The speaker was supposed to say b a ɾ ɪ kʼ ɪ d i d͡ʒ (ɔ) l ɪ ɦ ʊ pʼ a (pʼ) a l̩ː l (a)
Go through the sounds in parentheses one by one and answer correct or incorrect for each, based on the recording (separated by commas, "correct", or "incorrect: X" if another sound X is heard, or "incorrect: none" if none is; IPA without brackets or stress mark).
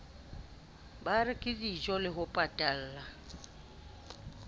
correct, incorrect: tʼ, correct